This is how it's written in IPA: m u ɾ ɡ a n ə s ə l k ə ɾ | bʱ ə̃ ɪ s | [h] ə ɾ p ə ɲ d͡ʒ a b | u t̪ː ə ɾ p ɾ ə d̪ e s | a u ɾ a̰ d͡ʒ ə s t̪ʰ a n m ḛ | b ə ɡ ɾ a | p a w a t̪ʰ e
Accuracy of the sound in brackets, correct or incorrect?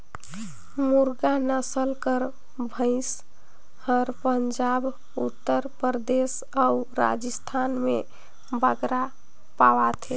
correct